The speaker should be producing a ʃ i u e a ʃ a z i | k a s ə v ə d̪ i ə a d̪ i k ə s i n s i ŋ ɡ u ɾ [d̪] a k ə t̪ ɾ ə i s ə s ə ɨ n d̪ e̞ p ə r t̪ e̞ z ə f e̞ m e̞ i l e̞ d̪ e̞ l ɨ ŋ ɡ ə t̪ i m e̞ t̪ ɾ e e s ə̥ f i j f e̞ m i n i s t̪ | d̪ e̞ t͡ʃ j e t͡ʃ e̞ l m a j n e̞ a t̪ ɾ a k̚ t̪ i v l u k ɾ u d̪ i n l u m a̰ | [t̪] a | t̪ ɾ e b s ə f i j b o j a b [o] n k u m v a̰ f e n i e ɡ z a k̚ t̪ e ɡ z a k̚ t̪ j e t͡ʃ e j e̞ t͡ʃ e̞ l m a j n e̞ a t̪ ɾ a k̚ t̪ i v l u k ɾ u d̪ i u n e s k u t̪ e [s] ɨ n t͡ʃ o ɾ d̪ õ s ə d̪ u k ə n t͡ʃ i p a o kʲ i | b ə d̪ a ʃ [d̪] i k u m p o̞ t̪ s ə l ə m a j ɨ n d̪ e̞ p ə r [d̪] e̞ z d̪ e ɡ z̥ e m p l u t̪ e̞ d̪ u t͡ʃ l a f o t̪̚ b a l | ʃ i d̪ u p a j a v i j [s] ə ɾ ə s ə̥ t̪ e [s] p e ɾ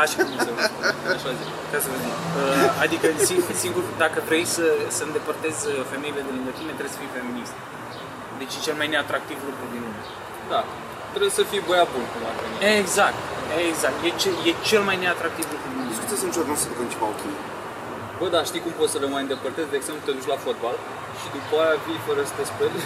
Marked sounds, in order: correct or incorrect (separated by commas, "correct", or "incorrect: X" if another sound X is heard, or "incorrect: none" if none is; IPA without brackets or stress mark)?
correct, incorrect: d̪, incorrect: u, correct, incorrect: t̪, incorrect: t̪, incorrect: f, correct